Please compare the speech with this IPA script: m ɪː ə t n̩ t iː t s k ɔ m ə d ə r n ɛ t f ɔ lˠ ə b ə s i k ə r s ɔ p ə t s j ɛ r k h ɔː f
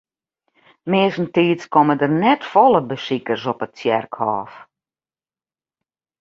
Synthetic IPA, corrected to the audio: m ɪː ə s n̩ t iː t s k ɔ m ə d ə r n ɛ t f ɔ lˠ ə b ə s i k ə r s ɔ p ə t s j ɛ r k h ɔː f